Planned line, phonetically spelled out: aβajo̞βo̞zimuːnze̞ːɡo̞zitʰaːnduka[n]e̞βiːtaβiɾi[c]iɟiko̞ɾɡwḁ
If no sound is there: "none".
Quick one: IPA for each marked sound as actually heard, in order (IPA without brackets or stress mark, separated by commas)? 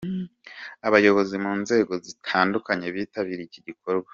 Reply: ɲ, c